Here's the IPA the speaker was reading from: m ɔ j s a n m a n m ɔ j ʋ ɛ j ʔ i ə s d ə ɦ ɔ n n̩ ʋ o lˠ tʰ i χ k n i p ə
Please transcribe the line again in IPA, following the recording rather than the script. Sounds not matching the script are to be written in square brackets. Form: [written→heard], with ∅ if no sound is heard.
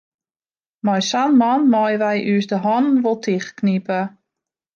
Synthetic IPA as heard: m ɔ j s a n m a n m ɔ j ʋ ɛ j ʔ [i→y] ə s d ə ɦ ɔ n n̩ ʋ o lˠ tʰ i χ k n i p ə